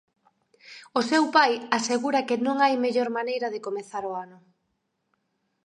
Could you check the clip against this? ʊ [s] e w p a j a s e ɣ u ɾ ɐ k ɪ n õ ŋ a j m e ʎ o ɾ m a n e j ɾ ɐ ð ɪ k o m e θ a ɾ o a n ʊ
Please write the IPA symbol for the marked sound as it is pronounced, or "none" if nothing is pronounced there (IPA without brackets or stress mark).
s